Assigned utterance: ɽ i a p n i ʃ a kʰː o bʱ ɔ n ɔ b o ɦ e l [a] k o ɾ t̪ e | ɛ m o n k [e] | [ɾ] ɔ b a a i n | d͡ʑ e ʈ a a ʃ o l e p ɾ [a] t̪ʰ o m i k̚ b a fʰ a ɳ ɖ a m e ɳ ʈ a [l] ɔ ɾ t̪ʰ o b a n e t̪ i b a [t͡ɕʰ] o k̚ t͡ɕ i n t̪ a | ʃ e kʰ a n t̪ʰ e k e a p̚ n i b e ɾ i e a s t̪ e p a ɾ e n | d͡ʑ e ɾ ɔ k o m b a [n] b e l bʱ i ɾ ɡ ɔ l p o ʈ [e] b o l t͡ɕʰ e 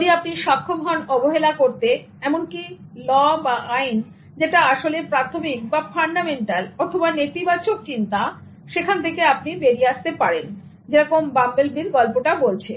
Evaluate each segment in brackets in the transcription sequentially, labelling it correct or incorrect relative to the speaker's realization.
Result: correct, incorrect: i, incorrect: l, correct, correct, incorrect: t͡ɕ, incorrect: m, incorrect: a

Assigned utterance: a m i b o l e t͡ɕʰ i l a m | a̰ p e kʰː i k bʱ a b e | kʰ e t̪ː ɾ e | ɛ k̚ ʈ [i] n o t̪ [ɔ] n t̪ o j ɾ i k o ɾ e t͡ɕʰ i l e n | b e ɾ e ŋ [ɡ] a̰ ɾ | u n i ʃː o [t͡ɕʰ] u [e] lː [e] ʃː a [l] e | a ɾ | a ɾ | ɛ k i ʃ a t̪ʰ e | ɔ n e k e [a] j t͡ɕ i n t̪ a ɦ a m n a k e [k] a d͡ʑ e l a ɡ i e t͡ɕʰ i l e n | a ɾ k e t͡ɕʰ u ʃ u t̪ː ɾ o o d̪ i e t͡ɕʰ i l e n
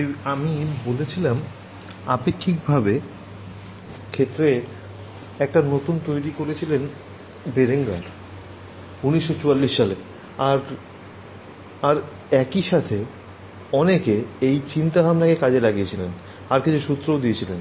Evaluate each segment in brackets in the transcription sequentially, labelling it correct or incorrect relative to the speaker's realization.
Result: incorrect: a, incorrect: u, correct, incorrect: t͡ɕ, incorrect: a, incorrect: i, correct, incorrect: e, correct

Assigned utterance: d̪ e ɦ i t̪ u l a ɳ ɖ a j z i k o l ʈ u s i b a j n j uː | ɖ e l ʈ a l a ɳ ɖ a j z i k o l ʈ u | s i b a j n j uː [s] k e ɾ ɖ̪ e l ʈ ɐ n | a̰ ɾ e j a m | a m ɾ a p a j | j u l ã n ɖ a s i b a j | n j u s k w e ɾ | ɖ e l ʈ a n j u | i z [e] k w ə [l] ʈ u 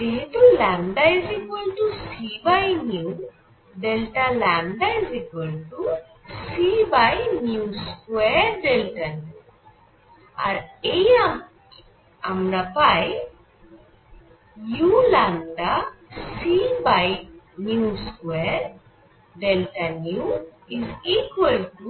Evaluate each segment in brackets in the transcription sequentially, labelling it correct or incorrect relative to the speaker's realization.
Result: correct, incorrect: i, correct

